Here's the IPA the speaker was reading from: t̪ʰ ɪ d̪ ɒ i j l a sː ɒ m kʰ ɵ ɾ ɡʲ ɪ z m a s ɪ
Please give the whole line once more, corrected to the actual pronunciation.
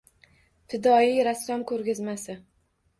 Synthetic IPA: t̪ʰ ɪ d̪ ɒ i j ɾ a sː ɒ m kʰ ɵ ɾ ɡʲ ɪ z m a s ɪ